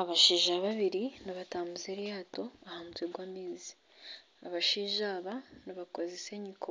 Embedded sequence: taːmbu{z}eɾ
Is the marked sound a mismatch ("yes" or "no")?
no